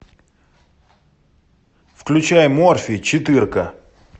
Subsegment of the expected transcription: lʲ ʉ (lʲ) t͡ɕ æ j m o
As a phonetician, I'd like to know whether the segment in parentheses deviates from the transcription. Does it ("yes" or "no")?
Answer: yes